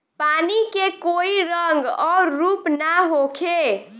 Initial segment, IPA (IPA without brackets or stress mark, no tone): p